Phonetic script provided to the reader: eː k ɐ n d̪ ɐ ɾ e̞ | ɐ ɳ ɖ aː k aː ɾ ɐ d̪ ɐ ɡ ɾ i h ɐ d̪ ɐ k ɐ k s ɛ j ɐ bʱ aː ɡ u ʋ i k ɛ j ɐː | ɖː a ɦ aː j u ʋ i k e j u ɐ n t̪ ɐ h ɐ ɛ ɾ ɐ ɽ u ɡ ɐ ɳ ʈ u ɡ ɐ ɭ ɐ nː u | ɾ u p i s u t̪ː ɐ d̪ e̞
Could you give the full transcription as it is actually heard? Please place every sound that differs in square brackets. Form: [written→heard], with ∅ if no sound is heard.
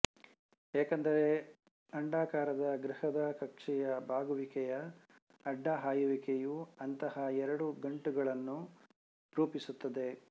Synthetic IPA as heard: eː k ɐ n d̪ ɐ ɾ e̞ | ɐ ɳ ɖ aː k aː ɾ ɐ d̪ ɐ ɡ ɾ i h ɐ d̪ ɐ k ɐ k [s→ʂ] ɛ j ɐ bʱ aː ɡ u ʋ i k ɛ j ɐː | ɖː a ɦ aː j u ʋ i k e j u ɐ n t̪ ɐ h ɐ ɛ ɾ ɐ ɽ u ɡ ɐ ɳ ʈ u ɡ ɐ ɭ ɐ nː u | ɾ [u→uː] p i s u t̪ː ɐ d̪ e̞